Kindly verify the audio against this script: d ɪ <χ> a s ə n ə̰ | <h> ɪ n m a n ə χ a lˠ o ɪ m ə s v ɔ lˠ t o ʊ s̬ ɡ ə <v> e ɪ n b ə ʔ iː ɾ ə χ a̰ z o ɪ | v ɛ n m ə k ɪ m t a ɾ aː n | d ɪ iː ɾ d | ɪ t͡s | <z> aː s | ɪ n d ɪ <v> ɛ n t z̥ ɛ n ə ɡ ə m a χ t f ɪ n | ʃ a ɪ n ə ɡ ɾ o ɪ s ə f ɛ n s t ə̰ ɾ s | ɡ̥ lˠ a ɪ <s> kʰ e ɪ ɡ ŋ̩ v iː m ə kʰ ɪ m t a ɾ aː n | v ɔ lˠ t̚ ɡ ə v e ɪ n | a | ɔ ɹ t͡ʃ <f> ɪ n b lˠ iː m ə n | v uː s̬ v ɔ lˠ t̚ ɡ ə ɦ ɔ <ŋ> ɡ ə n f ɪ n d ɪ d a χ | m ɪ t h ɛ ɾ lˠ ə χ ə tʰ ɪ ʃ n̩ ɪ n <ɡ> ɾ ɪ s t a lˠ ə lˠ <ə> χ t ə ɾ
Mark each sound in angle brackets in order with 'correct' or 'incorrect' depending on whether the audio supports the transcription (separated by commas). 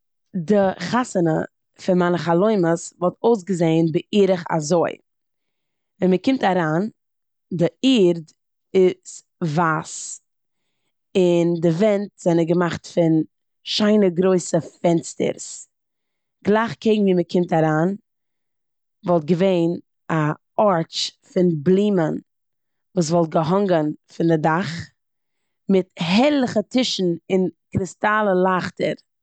correct, incorrect, incorrect, incorrect, correct, incorrect, correct, correct, incorrect, incorrect